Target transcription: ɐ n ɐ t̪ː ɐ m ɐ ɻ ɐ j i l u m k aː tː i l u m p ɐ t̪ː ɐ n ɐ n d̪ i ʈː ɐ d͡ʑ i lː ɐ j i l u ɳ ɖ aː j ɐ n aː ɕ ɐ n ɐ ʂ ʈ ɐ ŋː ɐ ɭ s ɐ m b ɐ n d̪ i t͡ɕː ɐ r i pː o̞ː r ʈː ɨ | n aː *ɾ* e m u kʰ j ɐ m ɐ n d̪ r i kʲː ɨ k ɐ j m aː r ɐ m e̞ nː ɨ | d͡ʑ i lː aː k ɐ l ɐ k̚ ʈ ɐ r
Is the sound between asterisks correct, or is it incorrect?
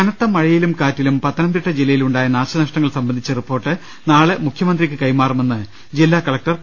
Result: incorrect: ɭ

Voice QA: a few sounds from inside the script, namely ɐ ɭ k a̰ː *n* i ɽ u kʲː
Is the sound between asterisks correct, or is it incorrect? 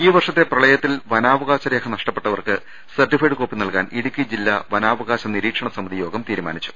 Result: correct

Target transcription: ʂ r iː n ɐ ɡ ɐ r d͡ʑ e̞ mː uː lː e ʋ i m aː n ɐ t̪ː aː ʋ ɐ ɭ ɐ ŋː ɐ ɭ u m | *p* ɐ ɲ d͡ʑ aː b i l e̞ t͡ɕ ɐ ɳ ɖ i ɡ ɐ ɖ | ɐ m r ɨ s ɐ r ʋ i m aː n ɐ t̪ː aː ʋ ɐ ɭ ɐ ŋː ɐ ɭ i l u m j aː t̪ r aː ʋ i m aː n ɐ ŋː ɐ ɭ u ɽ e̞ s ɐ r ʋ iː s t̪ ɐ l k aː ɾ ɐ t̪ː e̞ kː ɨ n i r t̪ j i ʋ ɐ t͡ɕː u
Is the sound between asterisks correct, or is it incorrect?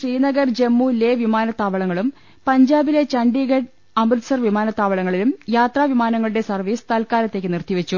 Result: correct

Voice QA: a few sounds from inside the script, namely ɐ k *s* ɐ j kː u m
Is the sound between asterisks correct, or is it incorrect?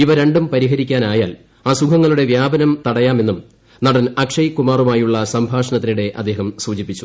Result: incorrect: ʂ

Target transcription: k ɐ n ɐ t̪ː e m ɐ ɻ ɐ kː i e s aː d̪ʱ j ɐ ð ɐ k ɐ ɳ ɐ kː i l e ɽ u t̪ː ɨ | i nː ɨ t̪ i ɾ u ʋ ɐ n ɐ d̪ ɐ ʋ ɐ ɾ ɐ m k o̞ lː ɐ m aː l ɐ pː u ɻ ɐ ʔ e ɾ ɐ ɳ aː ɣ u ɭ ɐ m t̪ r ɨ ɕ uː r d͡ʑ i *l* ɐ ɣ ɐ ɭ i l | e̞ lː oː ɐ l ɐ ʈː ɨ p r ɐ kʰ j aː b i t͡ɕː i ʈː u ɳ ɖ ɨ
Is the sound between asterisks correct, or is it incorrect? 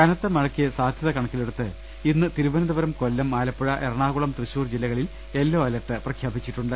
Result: incorrect: lː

